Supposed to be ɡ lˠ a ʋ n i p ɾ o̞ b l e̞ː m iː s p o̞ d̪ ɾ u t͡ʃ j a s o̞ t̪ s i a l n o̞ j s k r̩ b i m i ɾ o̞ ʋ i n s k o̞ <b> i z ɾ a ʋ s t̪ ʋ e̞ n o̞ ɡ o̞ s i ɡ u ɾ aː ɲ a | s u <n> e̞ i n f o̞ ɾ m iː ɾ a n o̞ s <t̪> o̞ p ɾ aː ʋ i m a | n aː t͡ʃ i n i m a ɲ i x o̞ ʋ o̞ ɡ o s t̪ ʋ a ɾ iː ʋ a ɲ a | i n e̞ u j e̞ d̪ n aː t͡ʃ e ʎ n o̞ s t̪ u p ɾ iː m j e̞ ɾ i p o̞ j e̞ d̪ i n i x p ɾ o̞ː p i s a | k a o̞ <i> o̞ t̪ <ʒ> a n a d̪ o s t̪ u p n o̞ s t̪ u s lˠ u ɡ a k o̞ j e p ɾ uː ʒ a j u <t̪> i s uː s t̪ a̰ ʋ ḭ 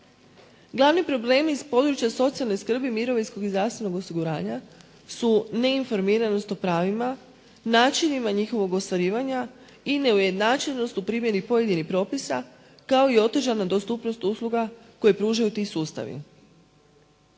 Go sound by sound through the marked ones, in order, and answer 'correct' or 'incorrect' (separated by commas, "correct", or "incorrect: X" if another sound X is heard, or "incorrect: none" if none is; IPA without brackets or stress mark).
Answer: incorrect: ɡ, correct, correct, correct, correct, correct